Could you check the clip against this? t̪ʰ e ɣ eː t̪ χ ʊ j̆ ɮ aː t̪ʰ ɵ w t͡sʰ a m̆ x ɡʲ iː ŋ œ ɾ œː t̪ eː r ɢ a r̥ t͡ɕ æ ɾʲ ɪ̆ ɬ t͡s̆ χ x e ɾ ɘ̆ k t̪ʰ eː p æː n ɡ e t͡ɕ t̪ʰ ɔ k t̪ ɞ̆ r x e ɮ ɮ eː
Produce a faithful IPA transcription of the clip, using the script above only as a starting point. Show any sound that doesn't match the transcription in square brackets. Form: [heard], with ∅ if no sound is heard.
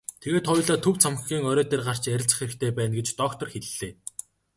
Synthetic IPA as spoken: t̪ʰ e ɣ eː t̪ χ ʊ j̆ ɮ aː t̪ʰ ɵ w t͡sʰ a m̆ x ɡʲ iː ŋ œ ɾ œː t̪ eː r ɢ a r̥ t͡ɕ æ ɾʲ ɪ̆ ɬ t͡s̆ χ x e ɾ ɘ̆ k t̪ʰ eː p æː n ɡ e t͡ɕ [t̪] ɔ k t̪ ɞ̆ r x e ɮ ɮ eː